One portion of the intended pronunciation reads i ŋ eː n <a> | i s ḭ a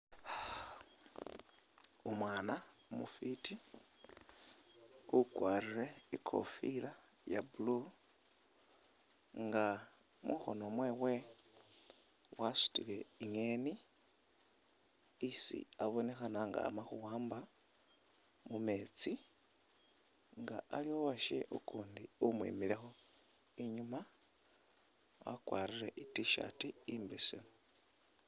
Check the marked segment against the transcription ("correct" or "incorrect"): incorrect